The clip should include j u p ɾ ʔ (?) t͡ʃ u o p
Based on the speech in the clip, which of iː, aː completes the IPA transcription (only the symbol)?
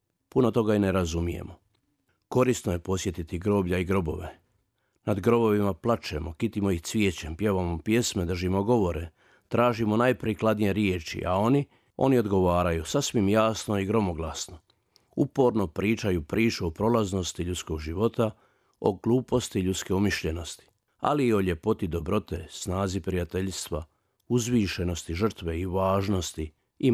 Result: iː